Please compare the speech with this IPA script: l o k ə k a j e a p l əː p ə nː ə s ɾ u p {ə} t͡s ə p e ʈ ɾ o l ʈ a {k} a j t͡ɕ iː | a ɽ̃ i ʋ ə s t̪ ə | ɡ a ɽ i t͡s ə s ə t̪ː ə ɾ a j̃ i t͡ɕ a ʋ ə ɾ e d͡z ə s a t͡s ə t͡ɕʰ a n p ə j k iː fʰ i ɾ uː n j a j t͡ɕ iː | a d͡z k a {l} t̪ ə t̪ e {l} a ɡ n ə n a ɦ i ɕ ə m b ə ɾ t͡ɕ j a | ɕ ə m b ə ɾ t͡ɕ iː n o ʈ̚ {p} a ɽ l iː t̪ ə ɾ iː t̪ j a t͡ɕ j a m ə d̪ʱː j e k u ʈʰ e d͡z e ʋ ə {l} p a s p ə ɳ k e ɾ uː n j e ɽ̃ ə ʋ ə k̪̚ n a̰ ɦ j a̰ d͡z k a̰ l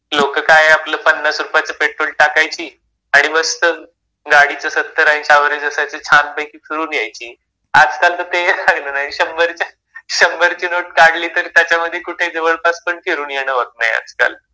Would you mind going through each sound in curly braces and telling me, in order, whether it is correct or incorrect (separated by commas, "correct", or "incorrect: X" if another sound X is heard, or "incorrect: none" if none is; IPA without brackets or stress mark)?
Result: incorrect: a, correct, correct, correct, incorrect: k, incorrect: ɭ